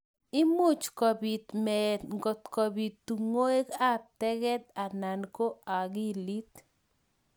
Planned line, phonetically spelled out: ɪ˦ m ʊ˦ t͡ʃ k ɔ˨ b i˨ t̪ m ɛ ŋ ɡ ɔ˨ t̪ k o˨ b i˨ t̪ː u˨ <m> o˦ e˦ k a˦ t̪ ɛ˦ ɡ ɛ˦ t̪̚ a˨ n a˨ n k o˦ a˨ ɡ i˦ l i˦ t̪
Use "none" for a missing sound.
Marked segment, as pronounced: ŋ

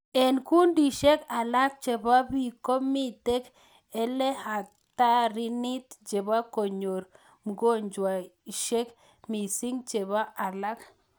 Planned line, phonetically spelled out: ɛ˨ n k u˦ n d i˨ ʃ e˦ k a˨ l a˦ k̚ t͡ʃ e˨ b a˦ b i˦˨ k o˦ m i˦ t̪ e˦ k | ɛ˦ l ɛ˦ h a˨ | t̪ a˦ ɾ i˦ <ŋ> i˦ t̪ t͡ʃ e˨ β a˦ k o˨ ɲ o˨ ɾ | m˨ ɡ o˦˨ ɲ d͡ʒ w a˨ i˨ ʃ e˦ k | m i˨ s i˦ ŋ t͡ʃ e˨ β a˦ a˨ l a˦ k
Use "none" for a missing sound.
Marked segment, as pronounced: n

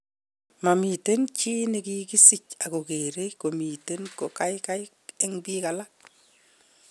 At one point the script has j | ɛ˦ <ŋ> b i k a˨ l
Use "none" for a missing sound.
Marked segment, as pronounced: ŋ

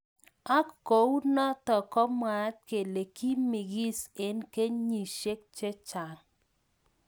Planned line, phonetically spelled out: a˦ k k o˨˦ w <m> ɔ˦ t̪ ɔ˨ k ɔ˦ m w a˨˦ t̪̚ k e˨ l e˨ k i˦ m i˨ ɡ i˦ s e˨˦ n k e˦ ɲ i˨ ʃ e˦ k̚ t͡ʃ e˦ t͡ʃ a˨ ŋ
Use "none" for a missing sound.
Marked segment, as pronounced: n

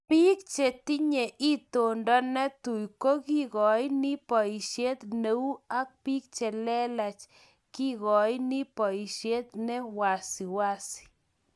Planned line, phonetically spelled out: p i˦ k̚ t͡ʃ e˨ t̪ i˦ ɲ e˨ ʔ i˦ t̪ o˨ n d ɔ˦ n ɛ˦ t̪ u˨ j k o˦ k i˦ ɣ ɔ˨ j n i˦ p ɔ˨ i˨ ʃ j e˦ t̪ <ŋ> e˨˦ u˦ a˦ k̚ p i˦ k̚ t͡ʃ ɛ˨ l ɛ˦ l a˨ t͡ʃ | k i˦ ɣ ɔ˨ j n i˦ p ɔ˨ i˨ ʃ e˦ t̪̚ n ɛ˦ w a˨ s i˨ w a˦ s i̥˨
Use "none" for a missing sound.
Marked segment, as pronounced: n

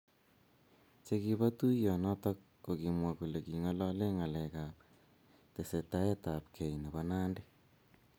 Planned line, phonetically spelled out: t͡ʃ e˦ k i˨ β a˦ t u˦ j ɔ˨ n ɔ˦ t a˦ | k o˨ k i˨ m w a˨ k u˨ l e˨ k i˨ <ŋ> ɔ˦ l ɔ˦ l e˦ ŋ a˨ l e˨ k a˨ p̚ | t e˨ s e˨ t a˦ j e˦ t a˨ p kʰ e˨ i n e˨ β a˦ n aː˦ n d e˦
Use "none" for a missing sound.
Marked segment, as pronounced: ŋ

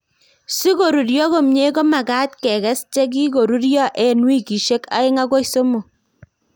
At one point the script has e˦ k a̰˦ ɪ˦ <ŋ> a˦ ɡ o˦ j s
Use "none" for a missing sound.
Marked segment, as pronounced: ŋ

